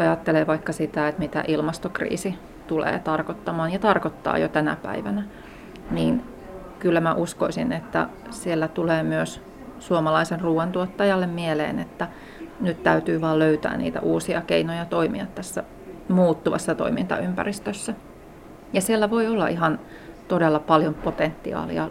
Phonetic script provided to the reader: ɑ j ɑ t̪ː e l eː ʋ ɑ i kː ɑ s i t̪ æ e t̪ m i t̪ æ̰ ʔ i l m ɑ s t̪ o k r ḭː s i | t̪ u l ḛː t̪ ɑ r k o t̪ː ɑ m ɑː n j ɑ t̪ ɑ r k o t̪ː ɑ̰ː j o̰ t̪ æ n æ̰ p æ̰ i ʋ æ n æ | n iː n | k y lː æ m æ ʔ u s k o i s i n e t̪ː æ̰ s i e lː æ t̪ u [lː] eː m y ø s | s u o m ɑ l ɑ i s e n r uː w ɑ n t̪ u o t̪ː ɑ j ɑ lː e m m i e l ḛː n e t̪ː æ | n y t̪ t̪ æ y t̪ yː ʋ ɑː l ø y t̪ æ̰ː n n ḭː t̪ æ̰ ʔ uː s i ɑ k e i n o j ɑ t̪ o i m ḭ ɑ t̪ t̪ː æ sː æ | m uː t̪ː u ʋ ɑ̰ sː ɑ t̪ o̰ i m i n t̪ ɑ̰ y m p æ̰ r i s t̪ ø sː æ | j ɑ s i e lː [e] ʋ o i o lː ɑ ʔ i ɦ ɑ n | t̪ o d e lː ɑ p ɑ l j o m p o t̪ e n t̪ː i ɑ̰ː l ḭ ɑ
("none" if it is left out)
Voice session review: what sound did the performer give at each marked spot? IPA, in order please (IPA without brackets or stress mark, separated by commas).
l, æ